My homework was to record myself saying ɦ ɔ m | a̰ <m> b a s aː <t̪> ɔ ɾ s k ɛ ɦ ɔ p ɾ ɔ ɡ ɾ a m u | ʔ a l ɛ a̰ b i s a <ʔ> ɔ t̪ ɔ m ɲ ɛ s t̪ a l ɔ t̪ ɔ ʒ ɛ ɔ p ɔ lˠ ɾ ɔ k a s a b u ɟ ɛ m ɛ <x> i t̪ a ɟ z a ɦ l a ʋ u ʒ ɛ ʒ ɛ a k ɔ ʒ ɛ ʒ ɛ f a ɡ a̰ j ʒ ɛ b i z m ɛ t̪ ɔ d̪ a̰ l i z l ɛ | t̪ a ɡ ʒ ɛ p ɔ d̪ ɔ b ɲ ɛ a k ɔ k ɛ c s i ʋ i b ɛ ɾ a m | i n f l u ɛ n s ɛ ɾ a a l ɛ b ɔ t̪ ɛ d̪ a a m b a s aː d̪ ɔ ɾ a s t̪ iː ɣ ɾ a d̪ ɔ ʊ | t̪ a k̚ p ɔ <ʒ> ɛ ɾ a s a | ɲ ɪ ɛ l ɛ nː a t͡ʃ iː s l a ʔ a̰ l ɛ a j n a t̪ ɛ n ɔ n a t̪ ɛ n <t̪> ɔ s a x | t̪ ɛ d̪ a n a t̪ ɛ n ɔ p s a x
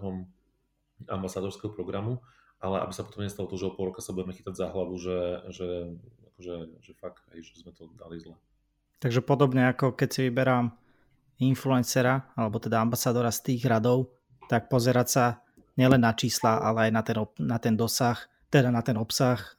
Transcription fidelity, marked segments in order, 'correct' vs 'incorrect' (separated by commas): correct, incorrect, incorrect, correct, incorrect, incorrect